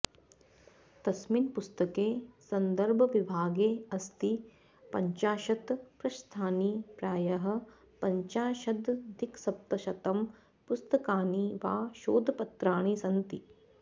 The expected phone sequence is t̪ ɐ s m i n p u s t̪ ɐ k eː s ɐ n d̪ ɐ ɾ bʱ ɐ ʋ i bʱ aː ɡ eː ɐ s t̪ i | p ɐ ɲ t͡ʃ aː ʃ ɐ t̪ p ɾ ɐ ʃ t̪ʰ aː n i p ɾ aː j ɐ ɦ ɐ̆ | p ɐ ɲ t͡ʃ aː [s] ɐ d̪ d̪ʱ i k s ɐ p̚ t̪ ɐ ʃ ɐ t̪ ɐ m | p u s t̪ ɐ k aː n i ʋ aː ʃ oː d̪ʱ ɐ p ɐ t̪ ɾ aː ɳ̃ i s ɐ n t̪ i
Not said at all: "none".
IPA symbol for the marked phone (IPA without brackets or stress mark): ʃ